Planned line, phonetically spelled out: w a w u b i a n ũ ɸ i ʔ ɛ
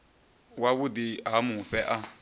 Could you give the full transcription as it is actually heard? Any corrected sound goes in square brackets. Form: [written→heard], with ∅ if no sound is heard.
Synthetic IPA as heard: w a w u [b→d] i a [n→m] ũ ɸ [i→ɛ] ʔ [ɛ→a]